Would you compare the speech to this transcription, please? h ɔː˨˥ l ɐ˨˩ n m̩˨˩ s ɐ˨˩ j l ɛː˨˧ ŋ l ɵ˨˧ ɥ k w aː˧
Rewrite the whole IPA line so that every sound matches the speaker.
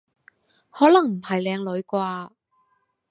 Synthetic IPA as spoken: h ɔː˨˥ l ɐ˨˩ ŋ m̩˨˩ h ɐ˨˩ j l ɛː˨˧ ŋ l ɵ˨˧ ɥ k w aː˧